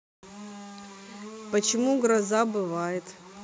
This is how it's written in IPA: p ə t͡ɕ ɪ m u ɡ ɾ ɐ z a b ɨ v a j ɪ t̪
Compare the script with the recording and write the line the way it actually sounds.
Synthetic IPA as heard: p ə t͡ɕ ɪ m u ɡ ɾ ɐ z a b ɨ v a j ɪ t̪